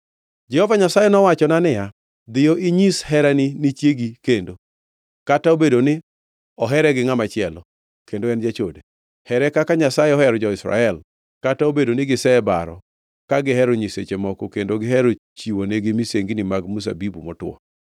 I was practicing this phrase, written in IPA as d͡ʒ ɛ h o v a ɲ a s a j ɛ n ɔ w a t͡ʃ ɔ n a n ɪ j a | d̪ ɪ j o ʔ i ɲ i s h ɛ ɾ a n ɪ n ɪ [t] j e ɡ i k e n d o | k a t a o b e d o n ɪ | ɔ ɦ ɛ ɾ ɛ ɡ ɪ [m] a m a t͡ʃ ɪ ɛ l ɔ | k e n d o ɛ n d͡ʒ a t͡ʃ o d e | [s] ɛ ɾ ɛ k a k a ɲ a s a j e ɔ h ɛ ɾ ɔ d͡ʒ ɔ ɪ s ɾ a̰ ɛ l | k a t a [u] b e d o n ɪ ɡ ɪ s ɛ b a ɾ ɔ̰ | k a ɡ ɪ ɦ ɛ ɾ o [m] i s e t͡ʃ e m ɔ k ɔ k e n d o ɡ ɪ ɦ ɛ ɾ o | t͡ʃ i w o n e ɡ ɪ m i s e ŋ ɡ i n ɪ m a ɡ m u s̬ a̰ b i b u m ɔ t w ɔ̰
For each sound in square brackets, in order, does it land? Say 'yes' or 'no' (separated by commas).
no, no, no, no, no